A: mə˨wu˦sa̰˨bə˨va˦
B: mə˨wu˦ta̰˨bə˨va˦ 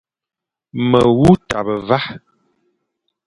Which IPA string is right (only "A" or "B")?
B